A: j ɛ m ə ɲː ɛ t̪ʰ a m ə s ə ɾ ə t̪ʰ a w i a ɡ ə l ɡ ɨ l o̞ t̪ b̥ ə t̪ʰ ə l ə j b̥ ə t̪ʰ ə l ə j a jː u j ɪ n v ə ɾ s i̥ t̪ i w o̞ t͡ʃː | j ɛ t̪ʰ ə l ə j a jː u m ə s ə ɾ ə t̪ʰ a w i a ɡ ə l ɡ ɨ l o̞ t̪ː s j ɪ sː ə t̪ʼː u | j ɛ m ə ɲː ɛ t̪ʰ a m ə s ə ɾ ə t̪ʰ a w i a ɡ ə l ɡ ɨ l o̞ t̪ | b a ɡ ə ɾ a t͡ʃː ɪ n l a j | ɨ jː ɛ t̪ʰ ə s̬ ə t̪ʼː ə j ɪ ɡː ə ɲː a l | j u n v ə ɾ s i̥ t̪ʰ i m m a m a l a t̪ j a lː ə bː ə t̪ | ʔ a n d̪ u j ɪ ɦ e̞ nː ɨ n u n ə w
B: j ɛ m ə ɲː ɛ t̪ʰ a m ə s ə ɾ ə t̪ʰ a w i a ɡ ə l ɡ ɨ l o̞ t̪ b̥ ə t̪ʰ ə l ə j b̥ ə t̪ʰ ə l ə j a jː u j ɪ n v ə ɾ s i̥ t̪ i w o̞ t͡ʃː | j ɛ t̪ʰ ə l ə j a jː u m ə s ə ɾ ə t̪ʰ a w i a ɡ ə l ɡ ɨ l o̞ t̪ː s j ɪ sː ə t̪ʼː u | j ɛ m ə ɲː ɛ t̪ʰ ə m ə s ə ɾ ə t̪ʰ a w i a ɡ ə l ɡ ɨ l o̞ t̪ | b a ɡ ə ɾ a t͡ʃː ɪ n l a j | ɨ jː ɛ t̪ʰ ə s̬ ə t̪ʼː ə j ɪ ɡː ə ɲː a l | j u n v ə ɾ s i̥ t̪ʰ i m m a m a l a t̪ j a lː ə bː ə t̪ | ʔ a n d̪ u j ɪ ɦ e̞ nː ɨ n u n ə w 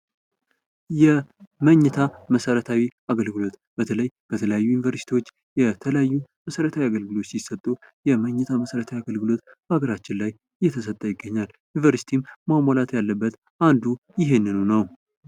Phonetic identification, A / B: A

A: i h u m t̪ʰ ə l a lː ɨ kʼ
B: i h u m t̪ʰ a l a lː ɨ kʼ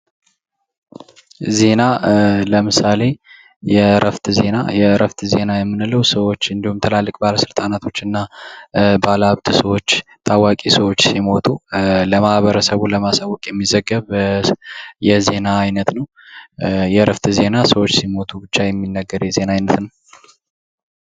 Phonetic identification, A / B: A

